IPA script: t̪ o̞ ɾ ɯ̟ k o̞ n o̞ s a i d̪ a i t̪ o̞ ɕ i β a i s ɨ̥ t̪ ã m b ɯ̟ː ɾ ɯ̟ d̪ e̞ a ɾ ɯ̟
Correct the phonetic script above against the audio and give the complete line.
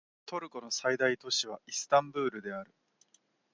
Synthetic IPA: t̪ o̞ ɾ ɯ̟ k o̞ n o̞ s a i d̪ a i t̪ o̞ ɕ i β a i s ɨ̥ t̪ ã m b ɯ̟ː ɾ ɯ̟ d̪ e̞ a ɾ ɯ̟

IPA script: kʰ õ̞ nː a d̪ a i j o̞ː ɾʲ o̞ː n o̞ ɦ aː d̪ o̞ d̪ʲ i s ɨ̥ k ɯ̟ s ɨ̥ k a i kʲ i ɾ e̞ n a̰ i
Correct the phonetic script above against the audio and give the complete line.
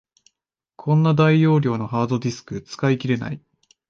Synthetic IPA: kʰ õ̞ nː a d̪ a i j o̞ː ɾʲ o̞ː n o̞ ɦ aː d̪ o̞ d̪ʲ i s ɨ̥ k ɯ̟ t͡s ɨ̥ k a i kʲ i ɾ e̞ n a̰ i

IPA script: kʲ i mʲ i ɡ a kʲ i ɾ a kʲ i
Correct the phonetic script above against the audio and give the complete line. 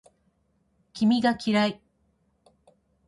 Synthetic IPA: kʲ i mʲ i ɡ a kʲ i ɾ a i

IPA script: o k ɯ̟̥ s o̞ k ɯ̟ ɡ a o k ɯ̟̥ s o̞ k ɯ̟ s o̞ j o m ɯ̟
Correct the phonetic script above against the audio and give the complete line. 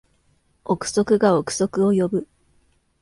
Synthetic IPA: o k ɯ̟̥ s o̞ k ɯ̟ ɡ a o k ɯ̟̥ s o̞ k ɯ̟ o̞ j o b ɯ̟

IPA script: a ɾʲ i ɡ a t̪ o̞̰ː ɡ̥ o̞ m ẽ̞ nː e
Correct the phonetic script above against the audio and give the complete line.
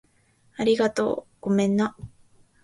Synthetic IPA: a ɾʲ i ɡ a t̪ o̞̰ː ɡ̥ o̞ m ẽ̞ nː a

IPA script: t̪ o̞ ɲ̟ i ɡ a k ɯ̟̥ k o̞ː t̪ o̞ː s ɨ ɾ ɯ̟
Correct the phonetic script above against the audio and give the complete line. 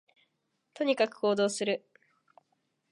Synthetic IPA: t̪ o̞ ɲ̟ i k a k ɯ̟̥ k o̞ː d̪ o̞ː s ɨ ɾ ɯ̟

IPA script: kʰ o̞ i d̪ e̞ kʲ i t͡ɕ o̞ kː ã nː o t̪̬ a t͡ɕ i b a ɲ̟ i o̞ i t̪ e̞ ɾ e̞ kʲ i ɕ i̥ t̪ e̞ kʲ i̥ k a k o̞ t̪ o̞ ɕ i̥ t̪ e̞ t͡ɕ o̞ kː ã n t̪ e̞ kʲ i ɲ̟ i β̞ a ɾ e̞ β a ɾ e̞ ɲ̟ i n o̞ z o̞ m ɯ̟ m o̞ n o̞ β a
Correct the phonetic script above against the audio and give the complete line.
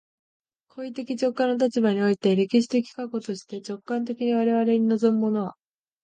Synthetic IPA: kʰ o̞ i t̪ e̞ kʲ i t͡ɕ o̞ kː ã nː o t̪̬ a t͡ɕ i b a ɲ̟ i o̞ i t̪ e̞ ɾ e̞ kʲ i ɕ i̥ t̪ e̞ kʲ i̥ k a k o̞ t̪ o̞ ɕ i̥ t̪ e̞ t͡ɕ o̞ kː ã n t̪ e̞ kʲ i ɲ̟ i β̞ a ɾ e̞ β a ɾ e̞ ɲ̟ i n o̞ z o̞ m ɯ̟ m o̞ n o̞ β a

